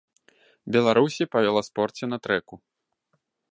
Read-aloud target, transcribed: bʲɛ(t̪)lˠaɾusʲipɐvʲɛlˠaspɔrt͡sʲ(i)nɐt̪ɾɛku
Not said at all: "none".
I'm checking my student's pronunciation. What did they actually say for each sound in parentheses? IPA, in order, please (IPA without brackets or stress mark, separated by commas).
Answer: none, ɛ